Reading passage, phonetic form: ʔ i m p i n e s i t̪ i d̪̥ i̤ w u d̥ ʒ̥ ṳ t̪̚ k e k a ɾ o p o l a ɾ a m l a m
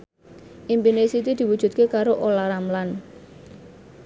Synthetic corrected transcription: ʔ i m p i n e s i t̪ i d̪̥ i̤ w u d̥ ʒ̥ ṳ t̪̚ k e k a ɾ o ʔ o l a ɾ a m l a n

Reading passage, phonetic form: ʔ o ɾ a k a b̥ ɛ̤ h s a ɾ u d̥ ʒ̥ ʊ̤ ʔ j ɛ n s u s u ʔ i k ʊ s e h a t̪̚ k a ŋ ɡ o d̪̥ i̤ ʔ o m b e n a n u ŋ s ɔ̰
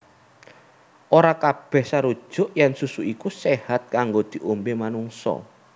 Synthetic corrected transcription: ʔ o ɾ a k a b̥ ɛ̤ h s a ɾ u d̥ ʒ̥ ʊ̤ ʔ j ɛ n s u s u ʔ i k u s e h a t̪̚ k a ŋ ɡ o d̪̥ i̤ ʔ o m b e m a n u ŋ s ɔ̰

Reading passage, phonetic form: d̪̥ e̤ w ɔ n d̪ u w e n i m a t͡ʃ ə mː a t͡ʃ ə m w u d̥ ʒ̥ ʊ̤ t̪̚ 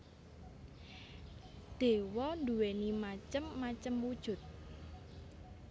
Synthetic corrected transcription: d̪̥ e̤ w ɔ n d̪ u w e n i m a t͡ʃ ə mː a t͡ʃ ə m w u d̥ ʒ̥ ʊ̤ t̪̚

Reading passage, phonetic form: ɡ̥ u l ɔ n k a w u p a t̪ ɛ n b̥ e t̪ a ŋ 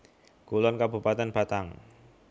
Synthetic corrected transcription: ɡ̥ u l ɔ n k a b u p a t̪ ɛ n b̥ a t̪ a ŋ

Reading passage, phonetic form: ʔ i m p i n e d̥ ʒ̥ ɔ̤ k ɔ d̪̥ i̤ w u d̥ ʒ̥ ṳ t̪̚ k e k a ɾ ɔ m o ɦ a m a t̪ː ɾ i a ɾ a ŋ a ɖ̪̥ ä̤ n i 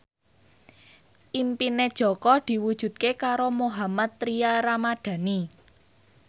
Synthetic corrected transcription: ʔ i m p i n e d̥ ʒ̥ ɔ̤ k ɔ d̪̥ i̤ w u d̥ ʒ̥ ṳ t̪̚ k e k a ɾ o m o ɦ a m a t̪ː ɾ i a ɾ a m a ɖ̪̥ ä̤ n i

